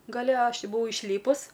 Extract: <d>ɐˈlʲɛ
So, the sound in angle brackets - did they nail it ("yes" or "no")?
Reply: no